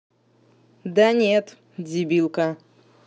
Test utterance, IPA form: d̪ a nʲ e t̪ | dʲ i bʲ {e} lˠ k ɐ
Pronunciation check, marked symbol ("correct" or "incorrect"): incorrect